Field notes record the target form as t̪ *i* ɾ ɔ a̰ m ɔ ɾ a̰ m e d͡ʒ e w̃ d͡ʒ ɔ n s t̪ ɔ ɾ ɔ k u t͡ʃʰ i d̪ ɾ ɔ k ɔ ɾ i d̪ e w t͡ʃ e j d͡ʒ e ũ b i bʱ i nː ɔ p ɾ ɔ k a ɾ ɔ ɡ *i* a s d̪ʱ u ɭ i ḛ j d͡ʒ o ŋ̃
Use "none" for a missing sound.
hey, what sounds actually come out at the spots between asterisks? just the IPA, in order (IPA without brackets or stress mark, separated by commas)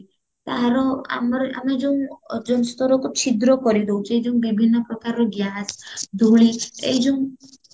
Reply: a, j